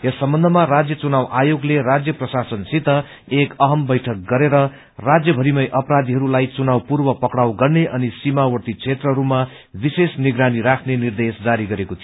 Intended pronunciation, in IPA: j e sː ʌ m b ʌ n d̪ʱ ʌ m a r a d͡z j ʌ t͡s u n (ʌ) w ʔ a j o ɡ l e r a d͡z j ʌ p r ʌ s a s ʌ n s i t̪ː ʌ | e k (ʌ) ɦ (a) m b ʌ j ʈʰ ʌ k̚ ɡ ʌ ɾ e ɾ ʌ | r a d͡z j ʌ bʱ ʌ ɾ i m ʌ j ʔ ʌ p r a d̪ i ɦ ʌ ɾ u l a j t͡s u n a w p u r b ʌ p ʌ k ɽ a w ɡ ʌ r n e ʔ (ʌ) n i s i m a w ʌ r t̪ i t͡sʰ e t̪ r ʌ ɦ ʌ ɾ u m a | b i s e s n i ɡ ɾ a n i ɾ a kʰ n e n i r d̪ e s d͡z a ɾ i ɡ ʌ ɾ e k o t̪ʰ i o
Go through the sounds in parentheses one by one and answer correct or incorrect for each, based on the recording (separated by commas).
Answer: incorrect, correct, incorrect, correct